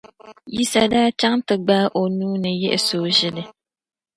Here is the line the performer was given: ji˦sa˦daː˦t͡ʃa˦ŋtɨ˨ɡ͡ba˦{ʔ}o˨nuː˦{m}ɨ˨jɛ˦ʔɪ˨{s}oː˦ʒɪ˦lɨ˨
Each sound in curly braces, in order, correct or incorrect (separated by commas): correct, incorrect, correct